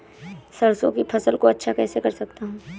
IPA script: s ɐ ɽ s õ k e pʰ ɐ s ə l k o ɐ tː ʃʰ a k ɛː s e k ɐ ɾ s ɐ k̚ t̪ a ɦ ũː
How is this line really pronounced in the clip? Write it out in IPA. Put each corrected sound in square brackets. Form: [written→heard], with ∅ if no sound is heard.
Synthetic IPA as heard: s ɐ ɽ s õ k [e→i] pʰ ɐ s ə l k o ɐ tː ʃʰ a k ɛː s e k ɐ ɾ s ɐ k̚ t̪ a ɦ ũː